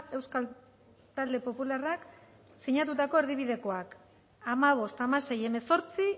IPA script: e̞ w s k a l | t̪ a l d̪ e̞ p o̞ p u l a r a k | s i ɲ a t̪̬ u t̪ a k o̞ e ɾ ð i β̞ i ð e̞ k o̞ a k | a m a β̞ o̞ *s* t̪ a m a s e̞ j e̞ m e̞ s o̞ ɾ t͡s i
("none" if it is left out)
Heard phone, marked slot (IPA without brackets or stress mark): s